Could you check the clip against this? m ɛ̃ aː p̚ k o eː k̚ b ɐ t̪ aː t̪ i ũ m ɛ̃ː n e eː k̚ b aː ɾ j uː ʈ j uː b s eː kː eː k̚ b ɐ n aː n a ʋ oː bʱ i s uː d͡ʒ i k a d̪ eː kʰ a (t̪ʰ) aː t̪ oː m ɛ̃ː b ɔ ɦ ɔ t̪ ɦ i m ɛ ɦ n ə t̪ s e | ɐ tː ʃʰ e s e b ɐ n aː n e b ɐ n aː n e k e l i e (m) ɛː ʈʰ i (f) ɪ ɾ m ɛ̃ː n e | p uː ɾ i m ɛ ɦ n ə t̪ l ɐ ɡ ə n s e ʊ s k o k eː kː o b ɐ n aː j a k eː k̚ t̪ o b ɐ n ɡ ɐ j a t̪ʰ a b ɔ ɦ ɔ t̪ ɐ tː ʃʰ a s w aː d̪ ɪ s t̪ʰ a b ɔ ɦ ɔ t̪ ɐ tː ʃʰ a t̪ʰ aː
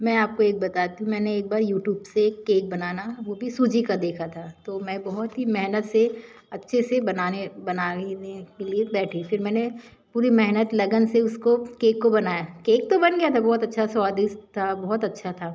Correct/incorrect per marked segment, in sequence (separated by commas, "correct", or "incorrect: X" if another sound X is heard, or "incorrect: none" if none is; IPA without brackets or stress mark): correct, incorrect: b, correct